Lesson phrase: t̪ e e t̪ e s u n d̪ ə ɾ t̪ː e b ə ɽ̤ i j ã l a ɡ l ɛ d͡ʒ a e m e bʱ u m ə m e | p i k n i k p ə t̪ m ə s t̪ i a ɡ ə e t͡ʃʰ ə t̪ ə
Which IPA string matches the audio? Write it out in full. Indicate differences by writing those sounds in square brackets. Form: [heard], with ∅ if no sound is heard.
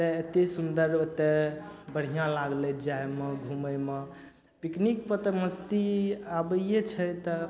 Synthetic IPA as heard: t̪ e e t̪ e s u n d̪ ə ɾ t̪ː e b ə ɽ̤ i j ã l a ɡ l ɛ d͡ʒ a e m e [ɡʱ] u m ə m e | p i k n i k p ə t̪ m ə s t̪ i a [b] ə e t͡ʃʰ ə t̪ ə